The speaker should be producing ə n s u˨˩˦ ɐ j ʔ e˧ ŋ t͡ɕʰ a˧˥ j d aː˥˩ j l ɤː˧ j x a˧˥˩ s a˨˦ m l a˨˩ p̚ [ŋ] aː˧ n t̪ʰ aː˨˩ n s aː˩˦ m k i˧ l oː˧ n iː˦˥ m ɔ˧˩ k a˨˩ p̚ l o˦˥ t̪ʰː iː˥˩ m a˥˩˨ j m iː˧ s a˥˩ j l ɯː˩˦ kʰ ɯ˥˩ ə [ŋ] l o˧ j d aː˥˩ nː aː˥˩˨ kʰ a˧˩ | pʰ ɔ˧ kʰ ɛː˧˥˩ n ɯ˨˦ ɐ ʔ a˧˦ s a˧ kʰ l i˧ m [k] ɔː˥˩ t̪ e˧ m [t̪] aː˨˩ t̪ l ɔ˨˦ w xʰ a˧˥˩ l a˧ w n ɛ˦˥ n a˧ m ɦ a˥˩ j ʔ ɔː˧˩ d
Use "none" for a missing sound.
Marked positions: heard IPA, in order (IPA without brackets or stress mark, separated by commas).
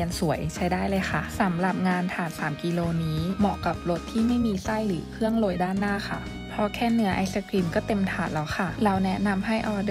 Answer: ŋ, ŋ, k, t̪ʰ